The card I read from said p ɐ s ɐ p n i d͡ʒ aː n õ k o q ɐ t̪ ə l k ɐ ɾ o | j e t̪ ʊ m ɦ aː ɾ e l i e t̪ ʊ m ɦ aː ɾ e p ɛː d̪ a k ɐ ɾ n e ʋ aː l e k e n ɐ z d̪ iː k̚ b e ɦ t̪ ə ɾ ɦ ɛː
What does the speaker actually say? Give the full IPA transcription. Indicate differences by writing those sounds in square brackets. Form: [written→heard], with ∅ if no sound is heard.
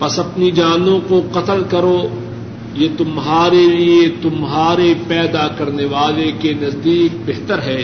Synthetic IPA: p ɐ s ɐ p n i d͡ʒ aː n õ k o q ɐ t̪ ə l k ɐ ɾ o | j e t̪ ʊ m ɦ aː ɾ e l i e t̪ ʊ m ɦ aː ɾ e p ɛː d̪ a k ɐ ɾ n e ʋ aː l e k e n ɐ z d̪ iː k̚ b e ɦ t̪ ə ɾ ɦ ɛː